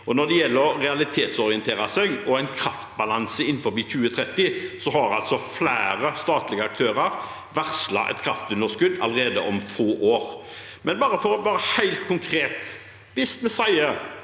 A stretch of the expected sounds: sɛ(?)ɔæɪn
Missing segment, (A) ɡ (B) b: A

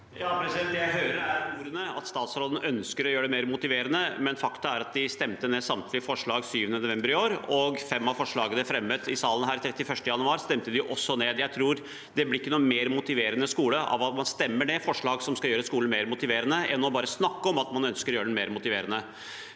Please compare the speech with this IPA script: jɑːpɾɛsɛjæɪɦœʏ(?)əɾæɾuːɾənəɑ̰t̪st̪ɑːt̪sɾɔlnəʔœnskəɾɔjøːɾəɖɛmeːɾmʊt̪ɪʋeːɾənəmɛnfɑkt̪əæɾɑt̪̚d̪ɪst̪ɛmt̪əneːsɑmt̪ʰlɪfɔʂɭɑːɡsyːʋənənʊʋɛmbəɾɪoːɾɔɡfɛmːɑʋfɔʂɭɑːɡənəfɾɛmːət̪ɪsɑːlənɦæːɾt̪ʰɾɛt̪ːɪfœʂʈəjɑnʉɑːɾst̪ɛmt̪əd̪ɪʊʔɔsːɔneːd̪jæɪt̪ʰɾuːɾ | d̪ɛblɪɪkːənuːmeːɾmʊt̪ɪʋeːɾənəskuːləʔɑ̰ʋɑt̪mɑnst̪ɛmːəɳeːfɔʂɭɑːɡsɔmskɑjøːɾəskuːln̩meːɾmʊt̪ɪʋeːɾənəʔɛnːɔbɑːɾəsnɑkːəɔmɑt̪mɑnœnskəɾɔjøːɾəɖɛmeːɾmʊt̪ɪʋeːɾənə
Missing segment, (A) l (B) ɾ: B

